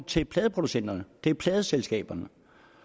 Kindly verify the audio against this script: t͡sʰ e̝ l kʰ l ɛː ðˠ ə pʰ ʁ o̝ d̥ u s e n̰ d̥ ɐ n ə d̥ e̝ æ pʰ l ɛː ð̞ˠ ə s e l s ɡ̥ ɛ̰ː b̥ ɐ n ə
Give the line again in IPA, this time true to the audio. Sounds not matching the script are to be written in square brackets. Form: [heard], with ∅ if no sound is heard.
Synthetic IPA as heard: t͡sʰ e̝ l [pʰ] l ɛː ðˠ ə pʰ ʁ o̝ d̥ u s e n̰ d̥ ɐ n ə d̥ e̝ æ pʰ l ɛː ð̞ˠ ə s e l s ɡ̥ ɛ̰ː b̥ ɐ n ə

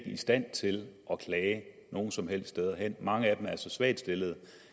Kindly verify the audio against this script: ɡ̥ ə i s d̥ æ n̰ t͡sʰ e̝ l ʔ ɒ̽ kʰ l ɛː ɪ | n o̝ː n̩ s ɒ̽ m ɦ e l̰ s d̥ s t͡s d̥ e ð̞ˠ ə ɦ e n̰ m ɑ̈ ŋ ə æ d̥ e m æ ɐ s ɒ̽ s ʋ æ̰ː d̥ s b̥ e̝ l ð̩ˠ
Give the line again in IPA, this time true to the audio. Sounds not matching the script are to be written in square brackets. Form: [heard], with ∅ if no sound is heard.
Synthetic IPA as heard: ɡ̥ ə i s d̥ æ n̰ t͡sʰ e̝ l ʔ ɒ̽ kʰ l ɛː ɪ | n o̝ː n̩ s ɒ̽ m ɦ e l̰ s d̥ s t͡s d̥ e ð̞ˠ [ɐ] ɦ e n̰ m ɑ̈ ŋ ə æ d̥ e m æ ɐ s ɒ̽ s ʋ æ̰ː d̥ s [d̥] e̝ l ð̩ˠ

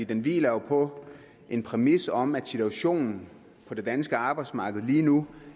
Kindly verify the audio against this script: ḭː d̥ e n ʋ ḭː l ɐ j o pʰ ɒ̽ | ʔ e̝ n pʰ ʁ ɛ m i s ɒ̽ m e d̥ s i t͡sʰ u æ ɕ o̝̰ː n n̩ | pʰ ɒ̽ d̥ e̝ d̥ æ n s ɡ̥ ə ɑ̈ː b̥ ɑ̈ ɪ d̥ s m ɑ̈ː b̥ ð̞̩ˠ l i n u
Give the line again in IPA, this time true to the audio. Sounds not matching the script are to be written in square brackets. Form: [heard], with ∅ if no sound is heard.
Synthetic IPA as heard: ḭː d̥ e n ʋ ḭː l ɐ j o pʰ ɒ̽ | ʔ e̝ n pʰ ʁ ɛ m i s ɒ̽ m [æ] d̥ s i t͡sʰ u æ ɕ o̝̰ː n n̩ | pʰ ɒ̽ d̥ e̝ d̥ æ n s ɡ̥ ə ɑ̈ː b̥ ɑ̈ ɪ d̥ s m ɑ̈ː [ɡ̥] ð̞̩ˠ l [iː] n u

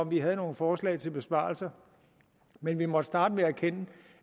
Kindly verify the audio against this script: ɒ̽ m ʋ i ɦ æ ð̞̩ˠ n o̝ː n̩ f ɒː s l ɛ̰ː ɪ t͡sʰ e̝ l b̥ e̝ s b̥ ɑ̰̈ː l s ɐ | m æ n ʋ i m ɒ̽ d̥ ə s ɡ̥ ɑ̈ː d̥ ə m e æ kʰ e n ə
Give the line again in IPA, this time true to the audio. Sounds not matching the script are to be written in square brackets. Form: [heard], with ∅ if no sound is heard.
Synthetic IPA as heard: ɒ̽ m ʋ i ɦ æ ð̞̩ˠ n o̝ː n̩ f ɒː s l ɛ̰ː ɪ t͡sʰ e̝ l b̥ e̝ s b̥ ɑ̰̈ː l s ɐ | m [e] n ʋ i m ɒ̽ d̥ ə s [d̥] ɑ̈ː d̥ ə m e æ kʰ e n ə

